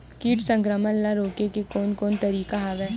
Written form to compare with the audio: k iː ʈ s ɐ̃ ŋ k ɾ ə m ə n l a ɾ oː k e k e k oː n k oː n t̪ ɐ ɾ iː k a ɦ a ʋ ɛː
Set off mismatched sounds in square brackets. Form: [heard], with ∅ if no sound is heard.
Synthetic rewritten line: k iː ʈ s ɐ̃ ŋ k ɾ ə m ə n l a ɾ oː k e k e k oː n k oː n t̪ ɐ ɾ iː k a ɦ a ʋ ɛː